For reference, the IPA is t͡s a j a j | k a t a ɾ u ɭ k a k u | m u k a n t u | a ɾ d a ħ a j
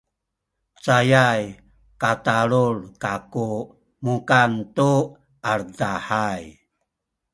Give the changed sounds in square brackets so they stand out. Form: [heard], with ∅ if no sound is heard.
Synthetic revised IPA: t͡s a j a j | k a t a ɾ u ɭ k a k u | m u k a n t u | a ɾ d a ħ a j